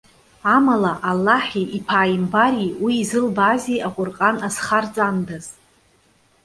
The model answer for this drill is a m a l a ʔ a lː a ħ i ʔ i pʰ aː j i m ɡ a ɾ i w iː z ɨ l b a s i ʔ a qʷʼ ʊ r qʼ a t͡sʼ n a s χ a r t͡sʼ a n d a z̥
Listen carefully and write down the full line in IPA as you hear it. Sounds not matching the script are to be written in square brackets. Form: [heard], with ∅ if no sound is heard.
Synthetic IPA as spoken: a m a l a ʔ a lː a ħ i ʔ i pʰ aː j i m [b] a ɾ i w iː z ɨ l b a [z] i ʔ a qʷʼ ʊ r qʼ a [∅] n a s χ a r t͡sʼ a n d a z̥